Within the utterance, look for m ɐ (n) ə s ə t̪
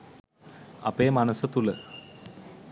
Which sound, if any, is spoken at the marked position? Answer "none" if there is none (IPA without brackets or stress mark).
n